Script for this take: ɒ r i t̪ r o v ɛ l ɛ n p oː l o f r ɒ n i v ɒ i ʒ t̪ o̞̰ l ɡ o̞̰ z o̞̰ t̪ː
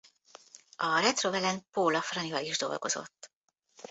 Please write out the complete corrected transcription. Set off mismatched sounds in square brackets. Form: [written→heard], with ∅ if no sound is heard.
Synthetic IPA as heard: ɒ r [i→ɛ] t̪ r o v ɛ l ɛ n p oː l [o→ɒ] f r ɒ n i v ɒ i ʒ [t̪→d̪] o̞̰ l ɡ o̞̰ z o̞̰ t̪ː